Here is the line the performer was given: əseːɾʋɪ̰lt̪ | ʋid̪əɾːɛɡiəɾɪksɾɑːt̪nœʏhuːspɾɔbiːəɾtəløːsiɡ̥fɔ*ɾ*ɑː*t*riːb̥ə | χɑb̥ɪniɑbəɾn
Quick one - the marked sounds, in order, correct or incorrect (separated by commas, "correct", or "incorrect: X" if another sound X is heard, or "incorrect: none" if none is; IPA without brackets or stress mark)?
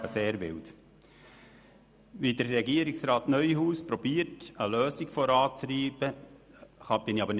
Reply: correct, incorrect: t͡s